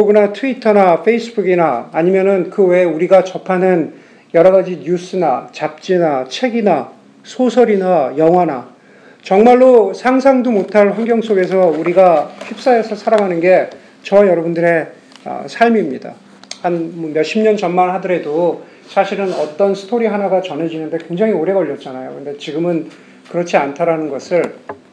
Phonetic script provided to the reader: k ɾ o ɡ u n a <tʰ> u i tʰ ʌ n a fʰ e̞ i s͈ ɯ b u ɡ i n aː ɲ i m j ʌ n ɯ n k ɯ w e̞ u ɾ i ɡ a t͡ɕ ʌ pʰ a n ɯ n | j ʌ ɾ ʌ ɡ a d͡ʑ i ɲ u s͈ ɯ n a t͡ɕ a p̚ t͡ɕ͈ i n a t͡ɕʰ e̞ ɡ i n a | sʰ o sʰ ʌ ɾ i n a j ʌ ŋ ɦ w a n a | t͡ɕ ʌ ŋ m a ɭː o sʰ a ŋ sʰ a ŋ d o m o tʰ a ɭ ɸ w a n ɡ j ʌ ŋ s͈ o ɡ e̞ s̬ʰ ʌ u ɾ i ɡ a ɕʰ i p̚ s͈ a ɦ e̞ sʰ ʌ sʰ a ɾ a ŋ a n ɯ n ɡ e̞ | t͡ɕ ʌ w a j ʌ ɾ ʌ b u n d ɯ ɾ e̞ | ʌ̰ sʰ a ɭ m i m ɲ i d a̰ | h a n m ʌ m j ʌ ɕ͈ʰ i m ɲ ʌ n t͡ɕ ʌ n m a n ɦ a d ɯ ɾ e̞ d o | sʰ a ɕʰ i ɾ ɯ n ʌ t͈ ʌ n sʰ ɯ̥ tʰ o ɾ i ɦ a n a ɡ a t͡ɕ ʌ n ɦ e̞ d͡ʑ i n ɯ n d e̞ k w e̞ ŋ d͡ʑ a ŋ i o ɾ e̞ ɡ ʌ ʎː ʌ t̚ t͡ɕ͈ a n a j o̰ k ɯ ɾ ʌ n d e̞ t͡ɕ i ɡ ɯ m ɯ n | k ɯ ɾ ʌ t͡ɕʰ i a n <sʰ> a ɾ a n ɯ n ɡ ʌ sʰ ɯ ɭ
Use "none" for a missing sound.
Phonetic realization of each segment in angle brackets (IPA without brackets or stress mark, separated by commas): tʰ, tʰ